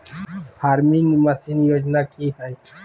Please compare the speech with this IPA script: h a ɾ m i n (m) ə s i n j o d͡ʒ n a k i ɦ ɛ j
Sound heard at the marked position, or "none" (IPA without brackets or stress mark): m